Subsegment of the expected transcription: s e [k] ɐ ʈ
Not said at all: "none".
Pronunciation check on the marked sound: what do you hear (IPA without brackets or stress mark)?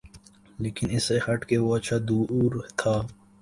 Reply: x